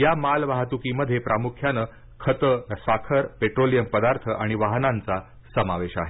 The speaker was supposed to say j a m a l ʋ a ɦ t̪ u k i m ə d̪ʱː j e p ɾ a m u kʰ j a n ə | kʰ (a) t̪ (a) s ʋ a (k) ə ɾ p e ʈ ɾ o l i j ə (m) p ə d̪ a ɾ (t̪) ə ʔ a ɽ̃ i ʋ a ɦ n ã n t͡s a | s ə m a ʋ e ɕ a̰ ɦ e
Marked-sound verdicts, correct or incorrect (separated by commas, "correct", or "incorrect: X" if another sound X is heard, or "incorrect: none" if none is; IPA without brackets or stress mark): incorrect: ə, incorrect: ə, incorrect: kʰ, correct, incorrect: t̪ʰ